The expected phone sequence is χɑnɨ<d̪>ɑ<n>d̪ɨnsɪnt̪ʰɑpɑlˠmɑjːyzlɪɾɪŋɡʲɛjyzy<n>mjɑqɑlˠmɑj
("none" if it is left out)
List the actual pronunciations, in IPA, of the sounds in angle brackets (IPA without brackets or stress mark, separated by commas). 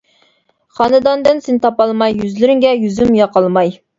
d̪, n, none